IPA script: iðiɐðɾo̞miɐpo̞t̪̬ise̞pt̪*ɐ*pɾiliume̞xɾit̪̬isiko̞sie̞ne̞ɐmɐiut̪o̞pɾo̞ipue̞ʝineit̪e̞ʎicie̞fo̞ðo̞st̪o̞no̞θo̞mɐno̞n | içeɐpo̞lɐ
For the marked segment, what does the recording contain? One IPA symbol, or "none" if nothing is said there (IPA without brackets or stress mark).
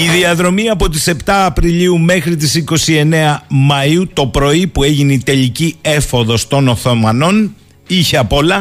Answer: ɐː